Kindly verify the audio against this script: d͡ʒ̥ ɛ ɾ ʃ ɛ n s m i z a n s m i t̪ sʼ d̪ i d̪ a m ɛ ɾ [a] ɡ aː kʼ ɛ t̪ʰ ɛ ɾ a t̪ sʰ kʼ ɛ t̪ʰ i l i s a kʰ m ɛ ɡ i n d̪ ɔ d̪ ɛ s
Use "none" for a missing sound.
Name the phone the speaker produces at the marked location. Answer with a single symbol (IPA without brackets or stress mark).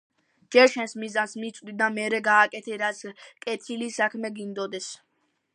ɛ